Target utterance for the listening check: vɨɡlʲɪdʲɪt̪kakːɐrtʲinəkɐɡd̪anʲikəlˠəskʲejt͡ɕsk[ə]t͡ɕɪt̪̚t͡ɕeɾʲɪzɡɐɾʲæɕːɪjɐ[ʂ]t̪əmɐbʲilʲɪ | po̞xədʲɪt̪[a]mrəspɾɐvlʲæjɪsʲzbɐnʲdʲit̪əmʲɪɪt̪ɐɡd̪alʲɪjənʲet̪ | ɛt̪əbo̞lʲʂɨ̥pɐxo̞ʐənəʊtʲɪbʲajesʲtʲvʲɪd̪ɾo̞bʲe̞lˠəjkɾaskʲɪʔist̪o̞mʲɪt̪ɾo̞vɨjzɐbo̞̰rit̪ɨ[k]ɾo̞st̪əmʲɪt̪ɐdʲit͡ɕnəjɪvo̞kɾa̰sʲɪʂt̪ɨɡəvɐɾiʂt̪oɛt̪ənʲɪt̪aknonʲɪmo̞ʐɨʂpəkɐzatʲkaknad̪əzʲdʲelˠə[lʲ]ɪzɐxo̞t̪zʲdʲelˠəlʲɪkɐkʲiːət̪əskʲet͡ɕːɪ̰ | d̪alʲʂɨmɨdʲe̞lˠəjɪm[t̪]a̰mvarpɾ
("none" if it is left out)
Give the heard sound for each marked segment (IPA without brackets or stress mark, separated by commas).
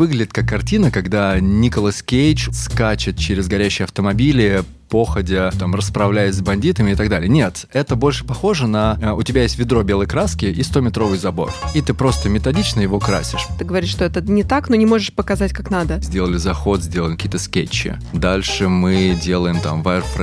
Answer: a, f, a, p, lʲ, t̪